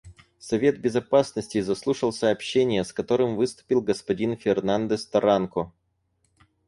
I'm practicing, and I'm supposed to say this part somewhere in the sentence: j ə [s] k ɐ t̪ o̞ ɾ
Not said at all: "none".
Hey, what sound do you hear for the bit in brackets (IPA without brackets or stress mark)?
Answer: s